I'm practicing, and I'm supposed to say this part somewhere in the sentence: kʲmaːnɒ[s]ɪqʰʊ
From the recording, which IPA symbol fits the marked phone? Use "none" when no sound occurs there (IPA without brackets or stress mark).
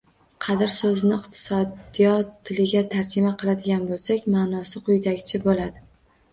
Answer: s